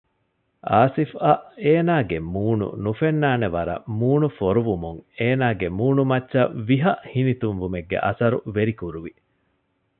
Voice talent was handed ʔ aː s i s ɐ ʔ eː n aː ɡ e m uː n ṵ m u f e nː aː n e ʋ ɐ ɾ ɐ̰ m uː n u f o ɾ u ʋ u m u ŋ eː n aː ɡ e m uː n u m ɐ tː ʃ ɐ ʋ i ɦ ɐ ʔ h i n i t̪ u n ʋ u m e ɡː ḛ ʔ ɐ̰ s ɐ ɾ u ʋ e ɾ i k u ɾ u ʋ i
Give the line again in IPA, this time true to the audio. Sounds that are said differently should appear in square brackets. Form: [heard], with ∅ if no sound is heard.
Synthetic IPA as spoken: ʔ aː s i [f] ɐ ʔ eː n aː ɡ e m uː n ṵ [n] u f e nː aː n e ʋ ɐ ɾ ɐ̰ m uː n u f o ɾ u ʋ u m u ŋ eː n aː ɡ e m uː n u m ɐ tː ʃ ɐ ʋ i ɦ ɐ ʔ h i n i t̪ u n ʋ u m e ɡː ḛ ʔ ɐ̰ s ɐ ɾ u ʋ e ɾ i k u ɾ u ʋ i